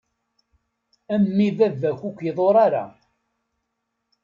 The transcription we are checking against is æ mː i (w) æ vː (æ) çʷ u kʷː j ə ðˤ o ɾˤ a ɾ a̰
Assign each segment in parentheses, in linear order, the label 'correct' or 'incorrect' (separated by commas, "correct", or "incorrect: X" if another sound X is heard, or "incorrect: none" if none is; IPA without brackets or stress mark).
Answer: incorrect: v, correct